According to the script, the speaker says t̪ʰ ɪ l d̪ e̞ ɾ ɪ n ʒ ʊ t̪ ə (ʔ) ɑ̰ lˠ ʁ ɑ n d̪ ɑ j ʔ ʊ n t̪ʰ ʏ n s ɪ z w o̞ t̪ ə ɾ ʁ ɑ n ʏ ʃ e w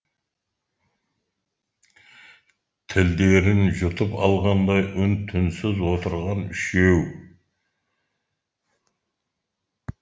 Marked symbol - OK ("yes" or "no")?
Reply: no